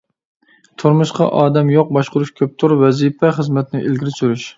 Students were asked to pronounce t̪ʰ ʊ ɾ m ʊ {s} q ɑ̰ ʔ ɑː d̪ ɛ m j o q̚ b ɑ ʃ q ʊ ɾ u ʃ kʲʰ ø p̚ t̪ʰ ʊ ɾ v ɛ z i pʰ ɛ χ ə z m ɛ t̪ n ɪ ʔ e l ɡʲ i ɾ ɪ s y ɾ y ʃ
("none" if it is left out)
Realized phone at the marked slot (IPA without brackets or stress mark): ʃ